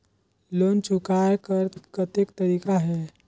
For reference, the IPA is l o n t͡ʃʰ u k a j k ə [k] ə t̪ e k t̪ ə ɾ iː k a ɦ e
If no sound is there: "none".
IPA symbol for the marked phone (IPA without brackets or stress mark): k